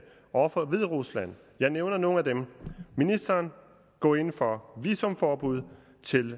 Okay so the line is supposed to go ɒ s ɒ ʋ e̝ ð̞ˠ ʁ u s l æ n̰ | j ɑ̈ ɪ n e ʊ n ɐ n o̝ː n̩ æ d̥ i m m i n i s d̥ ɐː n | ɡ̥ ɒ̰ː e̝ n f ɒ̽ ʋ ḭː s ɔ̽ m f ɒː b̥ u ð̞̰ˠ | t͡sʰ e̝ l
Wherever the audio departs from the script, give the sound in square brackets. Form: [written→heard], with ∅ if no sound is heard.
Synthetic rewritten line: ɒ [s→f] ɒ ʋ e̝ ð̞ˠ ʁ u s l æ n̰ | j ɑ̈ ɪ n e ʊ n ɐ n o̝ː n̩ æ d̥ [i→e] m m i n i s d̥ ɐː n | ɡ̥ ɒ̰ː e̝ n f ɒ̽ ʋ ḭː s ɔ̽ m f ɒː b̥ u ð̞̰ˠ | t͡sʰ e̝ l